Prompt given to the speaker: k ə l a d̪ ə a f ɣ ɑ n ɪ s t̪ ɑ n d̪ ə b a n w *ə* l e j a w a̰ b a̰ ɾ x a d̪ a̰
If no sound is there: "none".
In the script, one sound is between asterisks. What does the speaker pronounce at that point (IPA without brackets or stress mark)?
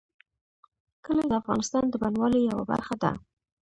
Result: ɑ